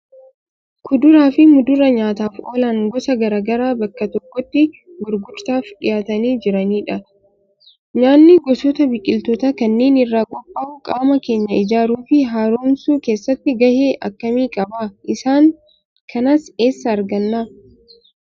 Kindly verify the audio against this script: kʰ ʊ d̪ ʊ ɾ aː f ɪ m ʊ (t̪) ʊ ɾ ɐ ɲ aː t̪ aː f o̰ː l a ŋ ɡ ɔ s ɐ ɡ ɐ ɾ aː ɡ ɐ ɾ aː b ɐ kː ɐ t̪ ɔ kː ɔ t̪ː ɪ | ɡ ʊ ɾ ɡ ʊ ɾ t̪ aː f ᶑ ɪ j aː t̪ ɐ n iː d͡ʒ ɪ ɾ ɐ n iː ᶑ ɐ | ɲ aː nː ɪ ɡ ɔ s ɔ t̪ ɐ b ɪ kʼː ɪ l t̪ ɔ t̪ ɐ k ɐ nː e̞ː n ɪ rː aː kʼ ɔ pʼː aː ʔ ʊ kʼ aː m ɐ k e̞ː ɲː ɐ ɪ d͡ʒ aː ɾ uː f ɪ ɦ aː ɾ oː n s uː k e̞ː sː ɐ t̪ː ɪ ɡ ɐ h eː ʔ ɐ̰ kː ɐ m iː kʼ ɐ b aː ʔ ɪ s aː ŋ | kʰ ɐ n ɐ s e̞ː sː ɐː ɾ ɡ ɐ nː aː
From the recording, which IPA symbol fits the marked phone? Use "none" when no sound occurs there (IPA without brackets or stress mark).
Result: d̪